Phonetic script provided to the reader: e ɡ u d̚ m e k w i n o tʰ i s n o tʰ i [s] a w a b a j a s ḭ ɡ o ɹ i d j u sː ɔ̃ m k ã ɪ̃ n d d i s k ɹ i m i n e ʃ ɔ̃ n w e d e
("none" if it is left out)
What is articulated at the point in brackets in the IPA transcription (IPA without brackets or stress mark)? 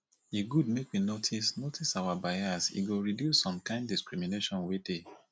s